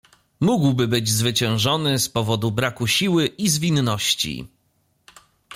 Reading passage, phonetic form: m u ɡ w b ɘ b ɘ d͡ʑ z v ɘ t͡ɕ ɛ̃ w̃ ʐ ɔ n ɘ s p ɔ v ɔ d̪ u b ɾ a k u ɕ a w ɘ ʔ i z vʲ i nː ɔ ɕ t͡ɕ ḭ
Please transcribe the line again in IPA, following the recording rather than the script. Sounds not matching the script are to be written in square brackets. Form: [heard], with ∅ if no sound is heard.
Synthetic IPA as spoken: m u ɡ w b ɘ b ɘ d͡ʑ z v ɘ t͡ɕ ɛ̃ w̃ ʐ ɔ n ɘ s p ɔ v ɔ d̪ u b ɾ a k u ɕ [i] w ɘ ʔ i z vʲ i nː ɔ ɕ t͡ɕ ḭ

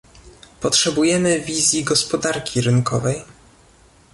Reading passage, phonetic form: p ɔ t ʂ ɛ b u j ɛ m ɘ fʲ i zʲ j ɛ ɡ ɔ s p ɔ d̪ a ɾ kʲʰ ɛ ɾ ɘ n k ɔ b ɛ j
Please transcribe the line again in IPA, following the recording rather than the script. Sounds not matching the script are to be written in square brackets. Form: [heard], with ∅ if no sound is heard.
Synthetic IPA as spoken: p ɔ t ʂ ɛ b u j ɛ m ɘ [vʲ] i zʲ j [i] ɡ ɔ s p ɔ d̪ a ɾ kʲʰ [i] ɾ ɘ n k ɔ [v] ɛ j

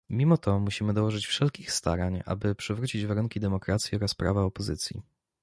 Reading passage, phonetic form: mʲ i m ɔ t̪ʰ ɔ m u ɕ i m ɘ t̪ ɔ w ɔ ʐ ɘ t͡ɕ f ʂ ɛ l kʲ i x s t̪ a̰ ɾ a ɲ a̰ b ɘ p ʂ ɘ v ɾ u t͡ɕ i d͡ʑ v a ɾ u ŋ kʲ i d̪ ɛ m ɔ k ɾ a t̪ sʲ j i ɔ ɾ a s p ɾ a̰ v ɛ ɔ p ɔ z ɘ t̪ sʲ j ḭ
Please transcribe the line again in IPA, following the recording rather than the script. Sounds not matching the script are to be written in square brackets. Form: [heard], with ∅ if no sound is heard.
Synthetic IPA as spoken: mʲ i m ɔ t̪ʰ ɔ m u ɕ i m ɘ [d̪] ɔ w ɔ ʐ ɘ t͡ɕ f ʂ ɛ l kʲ i x s t̪ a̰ ɾ a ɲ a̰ b ɘ p ʂ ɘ v ɾ u t͡ɕ i d͡ʑ v a ɾ u ŋ kʲ i d̪ ɛ m ɔ k ɾ a t̪ sʲ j i ɔ ɾ a s p ɾ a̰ v [a] ɔ p ɔ z ɘ t̪ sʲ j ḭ

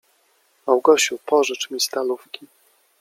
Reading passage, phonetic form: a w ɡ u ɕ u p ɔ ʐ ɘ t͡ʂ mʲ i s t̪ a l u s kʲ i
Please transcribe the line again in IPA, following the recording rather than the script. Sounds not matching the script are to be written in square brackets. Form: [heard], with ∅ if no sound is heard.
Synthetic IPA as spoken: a w ɡ [ɔ] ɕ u p ɔ ʐ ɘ t͡ʂ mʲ i s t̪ a l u [f] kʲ i

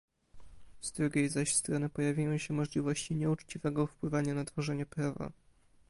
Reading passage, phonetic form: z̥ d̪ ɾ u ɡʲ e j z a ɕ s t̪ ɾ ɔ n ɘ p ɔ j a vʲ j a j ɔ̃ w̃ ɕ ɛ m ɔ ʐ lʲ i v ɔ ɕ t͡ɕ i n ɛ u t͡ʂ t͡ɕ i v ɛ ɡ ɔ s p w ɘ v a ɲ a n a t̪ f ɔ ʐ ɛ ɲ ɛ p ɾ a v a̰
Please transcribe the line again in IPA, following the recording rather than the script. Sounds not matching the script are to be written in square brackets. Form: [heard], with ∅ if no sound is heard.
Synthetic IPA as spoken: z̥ d̪ ɾ u ɡʲ e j z a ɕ s t̪ ɾ ɔ n ɘ p ɔ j a vʲ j a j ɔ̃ w̃ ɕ ɛ m ɔ ʐ lʲ i v ɔ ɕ t͡ɕ i [ɲ] ɛ u t͡ʂ t͡ɕ i v ɛ ɡ ɔ [f] p w ɘ v a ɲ a n a t̪ f ɔ ʐ ɛ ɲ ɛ p ɾ a v a̰

